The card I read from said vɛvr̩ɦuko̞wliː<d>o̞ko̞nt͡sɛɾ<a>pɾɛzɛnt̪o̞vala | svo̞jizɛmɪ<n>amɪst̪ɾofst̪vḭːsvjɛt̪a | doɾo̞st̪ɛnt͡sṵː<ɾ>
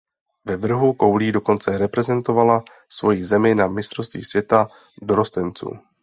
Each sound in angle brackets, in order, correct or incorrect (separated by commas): correct, incorrect, correct, incorrect